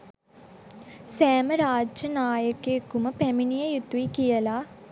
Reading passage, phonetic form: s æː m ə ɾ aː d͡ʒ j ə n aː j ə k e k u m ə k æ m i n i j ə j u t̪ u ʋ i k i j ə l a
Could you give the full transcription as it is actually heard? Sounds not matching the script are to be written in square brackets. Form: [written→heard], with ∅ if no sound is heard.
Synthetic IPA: s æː m ə ɾ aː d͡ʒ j ə n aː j ə k e k u m ə [k→p] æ m i n i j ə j u t̪ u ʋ i k i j ə l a